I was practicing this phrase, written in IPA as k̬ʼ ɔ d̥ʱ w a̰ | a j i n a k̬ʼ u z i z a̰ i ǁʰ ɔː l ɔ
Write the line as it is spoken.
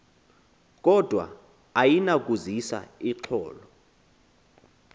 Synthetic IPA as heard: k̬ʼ ɔ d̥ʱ w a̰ | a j i n a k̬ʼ u z i s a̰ i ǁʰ ɔː l ɔ